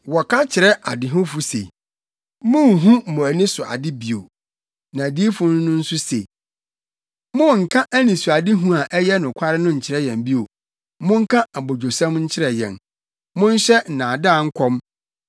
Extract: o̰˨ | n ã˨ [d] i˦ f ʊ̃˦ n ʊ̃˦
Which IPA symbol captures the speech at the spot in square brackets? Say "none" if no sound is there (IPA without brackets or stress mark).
d